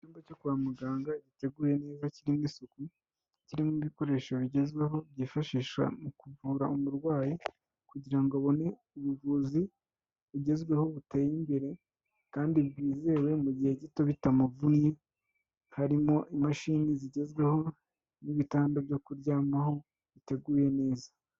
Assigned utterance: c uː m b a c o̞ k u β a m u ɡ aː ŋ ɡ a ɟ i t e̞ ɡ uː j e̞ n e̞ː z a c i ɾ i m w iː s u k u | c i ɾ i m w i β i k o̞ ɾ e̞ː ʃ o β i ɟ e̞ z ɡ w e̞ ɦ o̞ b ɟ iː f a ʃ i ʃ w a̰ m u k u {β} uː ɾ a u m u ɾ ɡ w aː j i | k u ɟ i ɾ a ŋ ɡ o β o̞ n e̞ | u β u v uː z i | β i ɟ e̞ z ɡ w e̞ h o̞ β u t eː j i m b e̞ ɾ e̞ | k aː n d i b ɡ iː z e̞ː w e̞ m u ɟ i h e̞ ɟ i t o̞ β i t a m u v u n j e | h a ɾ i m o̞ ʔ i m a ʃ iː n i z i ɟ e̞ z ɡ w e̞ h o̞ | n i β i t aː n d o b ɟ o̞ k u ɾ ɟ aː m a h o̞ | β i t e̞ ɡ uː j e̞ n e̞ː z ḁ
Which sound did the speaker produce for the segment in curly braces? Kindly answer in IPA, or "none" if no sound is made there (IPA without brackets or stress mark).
v